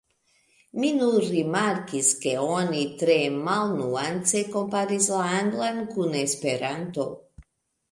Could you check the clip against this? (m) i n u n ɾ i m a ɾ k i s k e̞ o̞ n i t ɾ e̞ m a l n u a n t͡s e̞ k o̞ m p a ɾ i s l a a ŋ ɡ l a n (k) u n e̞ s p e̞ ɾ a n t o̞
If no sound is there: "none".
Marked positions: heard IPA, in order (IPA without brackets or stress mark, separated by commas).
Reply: m, k